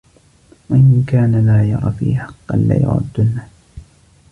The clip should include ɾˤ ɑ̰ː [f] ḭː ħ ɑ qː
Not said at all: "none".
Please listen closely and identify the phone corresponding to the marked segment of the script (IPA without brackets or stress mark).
f